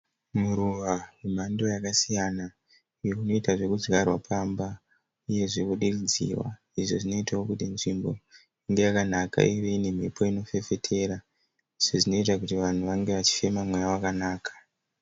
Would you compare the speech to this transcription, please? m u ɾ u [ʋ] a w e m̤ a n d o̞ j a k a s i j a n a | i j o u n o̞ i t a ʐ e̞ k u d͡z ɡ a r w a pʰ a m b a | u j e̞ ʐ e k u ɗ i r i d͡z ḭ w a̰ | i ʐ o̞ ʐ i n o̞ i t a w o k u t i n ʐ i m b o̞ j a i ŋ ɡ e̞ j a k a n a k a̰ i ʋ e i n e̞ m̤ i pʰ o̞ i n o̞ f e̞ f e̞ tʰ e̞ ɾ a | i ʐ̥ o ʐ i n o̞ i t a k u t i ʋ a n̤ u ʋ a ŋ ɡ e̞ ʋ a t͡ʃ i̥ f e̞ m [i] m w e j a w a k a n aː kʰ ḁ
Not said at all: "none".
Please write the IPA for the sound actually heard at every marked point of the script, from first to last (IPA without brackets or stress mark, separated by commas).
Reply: ʋ, a